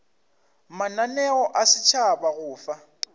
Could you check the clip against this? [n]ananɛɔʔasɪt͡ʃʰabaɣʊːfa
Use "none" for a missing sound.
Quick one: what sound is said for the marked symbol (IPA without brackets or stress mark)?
m